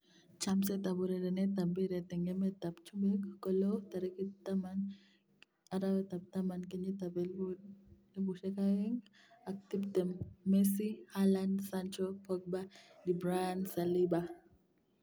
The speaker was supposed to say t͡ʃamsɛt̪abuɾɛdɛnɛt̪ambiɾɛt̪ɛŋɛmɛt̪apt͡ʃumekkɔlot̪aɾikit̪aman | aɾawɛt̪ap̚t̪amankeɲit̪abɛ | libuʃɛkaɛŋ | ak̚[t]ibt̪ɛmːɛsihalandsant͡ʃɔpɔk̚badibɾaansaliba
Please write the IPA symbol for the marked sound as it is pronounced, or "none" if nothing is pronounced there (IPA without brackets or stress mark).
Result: t